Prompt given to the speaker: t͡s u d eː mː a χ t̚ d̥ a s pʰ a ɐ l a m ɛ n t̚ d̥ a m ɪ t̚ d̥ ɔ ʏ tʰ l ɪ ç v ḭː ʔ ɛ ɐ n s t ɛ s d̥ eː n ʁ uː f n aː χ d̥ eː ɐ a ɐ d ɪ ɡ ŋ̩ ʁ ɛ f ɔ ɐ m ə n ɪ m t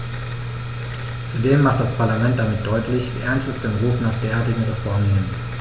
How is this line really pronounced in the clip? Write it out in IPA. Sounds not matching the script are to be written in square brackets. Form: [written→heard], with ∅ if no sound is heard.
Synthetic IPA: t͡s u d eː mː a χ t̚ d̥ a s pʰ a ɐ l a m ɛ n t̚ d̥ a m ɪ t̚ d̥ ɔ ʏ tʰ l ɪ ç v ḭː ʔ ɛ ɐ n s t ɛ s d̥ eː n ʁ uː f n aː χ d̥ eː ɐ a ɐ [d→t] ɪ ɡ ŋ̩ ʁ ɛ f ɔ ɐ m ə n ɪ m t